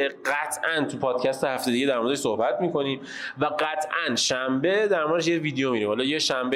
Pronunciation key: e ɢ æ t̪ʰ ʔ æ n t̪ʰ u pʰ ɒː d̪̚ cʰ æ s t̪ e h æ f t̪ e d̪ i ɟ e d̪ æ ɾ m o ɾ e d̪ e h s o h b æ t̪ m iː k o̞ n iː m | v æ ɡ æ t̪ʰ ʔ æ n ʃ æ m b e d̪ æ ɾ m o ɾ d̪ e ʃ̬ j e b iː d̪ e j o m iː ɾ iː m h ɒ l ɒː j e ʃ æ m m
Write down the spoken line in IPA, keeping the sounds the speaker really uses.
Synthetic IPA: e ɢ æ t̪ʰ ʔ æ n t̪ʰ u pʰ ɒː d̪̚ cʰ æ s t̪ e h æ f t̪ e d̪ i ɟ e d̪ æ ɾ m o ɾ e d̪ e ʃ s o h b æ t̪ m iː k o̞ n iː m | v æ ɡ æ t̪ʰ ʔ æ n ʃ æ m b e d̪ æ ɾ m o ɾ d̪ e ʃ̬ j e v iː d̪ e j o m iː ɾ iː m h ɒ l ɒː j e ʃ æ m b